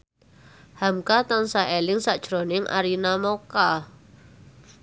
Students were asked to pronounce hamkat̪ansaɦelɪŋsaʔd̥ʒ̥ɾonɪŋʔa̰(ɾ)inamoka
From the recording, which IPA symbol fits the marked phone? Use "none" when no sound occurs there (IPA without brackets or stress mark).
ɾ